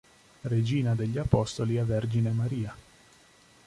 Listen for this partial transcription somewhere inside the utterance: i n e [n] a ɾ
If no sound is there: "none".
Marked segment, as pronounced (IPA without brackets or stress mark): m